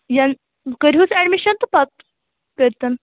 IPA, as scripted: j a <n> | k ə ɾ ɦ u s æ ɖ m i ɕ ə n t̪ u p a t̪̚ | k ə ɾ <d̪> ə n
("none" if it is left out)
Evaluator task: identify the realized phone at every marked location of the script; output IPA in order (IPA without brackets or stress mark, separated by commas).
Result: n, t̪